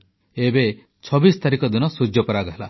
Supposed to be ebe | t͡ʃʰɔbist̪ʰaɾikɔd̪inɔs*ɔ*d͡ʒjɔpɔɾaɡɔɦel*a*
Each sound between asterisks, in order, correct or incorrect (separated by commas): incorrect, correct